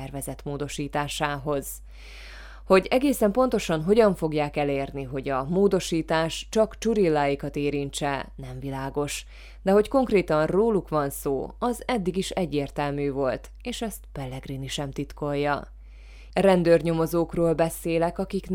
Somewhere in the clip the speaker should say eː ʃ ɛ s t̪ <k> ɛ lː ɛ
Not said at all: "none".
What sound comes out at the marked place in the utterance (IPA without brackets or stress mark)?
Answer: p